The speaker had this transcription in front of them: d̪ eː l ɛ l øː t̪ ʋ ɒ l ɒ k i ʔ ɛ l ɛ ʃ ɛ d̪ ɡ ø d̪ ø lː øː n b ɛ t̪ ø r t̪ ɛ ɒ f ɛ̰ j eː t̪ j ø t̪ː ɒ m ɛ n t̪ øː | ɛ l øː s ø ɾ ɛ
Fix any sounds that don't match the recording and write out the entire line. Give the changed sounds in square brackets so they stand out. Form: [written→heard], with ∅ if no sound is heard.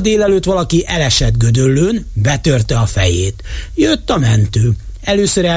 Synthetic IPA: d̪ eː l ɛ l øː t̪ ʋ ɒ l ɒ k i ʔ ɛ l ɛ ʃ ɛ d̪ ɡ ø d̪ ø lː øː n b ɛ t̪ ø r t̪ ɛ ɒ f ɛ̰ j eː t̪ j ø t̪ː ɒ m ɛ n t̪ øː | ɛ l øː s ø ɾ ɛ